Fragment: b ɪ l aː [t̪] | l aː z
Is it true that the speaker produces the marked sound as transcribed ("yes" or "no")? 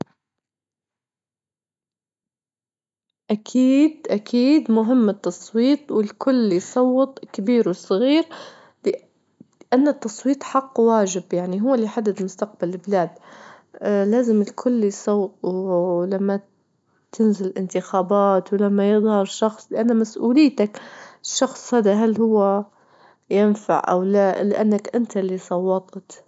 no